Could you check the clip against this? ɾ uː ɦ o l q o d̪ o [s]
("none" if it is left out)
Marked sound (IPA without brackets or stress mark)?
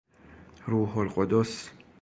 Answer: s